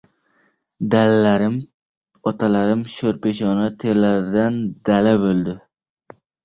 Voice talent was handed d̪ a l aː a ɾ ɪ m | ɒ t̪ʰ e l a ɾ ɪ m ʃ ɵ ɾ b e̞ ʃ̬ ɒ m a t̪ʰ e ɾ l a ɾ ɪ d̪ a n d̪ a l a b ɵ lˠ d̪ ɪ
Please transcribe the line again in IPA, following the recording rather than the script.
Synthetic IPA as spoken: d̪ a l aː a ɾ ɪ m | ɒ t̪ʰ a l a ɾ ɪ m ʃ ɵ ɾ p e̞ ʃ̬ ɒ n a t̪ʰ e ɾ l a ɾ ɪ d̪ a n d̪ a l a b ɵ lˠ d̪ ɪ